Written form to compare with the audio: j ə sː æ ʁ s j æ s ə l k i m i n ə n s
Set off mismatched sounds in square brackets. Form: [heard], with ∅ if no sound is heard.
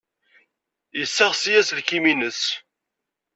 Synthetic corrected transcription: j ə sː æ ʁ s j æ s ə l k i m i n ə [∅] s